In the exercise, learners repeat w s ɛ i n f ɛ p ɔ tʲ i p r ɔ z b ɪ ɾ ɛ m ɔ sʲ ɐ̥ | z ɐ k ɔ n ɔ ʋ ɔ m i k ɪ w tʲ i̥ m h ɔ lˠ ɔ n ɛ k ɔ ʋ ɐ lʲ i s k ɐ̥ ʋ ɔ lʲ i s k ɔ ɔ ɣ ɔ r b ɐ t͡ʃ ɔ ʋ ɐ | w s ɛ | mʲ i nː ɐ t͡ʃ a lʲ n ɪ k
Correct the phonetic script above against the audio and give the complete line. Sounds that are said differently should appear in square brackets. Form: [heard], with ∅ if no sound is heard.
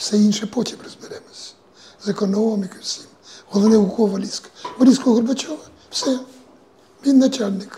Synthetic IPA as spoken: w s ɛ i n [ʃ] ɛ p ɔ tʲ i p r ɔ z b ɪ ɾ ɛ m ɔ sʲ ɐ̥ | z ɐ k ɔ n ɔ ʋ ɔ m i k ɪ w [sʲ] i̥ m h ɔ lˠ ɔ n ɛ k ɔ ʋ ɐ lʲ i s k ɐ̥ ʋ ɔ lʲ i s k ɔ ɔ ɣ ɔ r b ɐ t͡ʃ ɔ ʋ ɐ | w s ɛ | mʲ i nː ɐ t͡ʃ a lʲ n ɪ k